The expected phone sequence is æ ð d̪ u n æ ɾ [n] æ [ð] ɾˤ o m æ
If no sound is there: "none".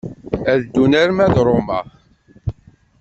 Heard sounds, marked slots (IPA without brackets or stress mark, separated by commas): m, ð